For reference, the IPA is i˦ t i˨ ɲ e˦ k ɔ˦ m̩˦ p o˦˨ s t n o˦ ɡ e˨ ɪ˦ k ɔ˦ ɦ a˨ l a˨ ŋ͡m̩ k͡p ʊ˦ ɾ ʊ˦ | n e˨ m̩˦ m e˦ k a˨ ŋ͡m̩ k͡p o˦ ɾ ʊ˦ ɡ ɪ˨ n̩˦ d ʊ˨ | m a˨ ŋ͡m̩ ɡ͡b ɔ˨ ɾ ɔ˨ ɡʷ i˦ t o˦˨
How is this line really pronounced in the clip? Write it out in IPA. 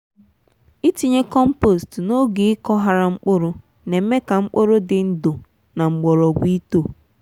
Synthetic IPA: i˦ t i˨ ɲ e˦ k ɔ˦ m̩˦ p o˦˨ s t n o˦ ɡ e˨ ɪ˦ k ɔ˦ ɦ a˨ ɾ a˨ ŋ͡m̩ k͡p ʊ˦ ɾ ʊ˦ | n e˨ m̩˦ m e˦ k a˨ ŋ͡m̩ k͡p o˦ ɾ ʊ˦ d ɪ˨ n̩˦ d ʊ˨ | n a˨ ŋ͡m̩ ɡ͡b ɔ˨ ɾ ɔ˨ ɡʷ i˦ t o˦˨